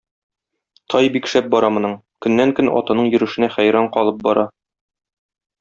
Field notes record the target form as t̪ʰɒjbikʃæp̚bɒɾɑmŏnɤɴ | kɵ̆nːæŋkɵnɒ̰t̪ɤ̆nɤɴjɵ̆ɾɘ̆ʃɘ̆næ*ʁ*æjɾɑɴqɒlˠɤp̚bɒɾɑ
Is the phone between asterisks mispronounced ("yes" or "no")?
yes